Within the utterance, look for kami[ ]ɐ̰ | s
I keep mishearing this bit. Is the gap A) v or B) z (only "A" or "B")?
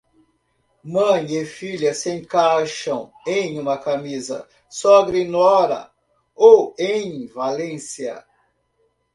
B